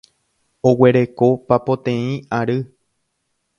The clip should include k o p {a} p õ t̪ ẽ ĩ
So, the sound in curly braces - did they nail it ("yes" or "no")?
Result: yes